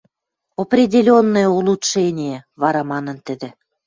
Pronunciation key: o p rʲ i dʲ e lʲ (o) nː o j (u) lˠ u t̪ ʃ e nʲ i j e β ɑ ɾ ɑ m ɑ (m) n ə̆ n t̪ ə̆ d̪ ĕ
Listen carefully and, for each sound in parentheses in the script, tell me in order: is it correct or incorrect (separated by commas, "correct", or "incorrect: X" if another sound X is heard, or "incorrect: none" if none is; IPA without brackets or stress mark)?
correct, correct, incorrect: none